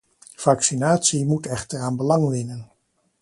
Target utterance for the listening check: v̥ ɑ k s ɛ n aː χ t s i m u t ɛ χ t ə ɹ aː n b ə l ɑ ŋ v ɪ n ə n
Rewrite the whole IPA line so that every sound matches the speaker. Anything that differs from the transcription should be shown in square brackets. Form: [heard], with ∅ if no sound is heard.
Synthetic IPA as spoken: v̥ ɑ k s [i] n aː [∅] t s i m u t ɛ χ t ə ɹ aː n b ə l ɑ ŋ [ʋ] ɪ n ə n